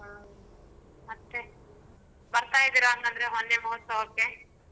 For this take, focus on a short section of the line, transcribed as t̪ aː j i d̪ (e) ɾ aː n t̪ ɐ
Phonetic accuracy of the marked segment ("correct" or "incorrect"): incorrect